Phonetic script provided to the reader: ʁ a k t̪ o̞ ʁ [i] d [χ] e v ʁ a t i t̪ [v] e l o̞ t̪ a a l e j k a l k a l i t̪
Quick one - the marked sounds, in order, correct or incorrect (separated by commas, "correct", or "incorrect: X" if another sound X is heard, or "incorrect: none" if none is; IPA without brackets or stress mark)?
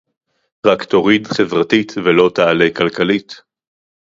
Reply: correct, correct, correct